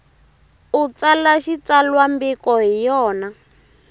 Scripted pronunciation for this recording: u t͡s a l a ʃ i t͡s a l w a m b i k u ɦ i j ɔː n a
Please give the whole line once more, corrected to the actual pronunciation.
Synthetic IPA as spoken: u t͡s a l a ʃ i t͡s a l w a m b i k ɔ ɦ i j ɔː n a